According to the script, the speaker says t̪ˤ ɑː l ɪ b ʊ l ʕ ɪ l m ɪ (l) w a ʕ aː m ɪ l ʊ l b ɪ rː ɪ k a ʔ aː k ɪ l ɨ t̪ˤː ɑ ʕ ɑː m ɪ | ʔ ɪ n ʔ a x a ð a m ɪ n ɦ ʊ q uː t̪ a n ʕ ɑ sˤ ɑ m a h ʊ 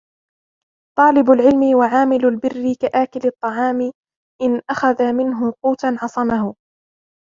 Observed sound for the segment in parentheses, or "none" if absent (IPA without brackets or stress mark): none